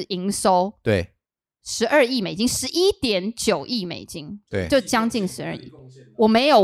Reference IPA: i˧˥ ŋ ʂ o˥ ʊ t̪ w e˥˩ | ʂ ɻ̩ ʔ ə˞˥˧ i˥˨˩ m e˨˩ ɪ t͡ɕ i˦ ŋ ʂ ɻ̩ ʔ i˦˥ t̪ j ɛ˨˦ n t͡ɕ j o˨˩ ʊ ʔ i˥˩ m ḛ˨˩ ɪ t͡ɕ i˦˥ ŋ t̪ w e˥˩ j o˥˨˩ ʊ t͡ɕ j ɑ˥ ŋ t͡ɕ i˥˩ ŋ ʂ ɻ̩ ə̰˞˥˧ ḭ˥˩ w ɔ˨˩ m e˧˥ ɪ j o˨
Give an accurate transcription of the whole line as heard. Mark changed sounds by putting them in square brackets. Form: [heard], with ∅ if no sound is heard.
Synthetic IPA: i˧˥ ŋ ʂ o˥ ʊ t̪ w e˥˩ | ʂ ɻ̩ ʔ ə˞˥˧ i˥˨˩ m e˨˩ ɪ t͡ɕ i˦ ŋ ʂ ɻ̩ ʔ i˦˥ t̪ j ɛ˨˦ n t͡ɕ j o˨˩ ʊ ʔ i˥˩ m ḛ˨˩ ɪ t͡ɕ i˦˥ ŋ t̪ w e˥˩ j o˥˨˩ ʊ t͡ɕ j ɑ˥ ŋ t͡ɕ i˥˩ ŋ ʂ ɻ̩ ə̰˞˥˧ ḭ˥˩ w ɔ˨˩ m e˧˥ ɪ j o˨